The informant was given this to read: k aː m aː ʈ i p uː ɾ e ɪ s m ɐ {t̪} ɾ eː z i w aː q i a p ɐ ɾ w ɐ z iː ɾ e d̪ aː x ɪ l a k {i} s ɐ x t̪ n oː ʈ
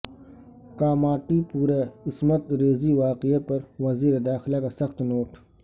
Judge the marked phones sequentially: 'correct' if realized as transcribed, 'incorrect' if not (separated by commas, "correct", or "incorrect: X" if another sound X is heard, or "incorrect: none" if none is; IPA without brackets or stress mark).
correct, incorrect: a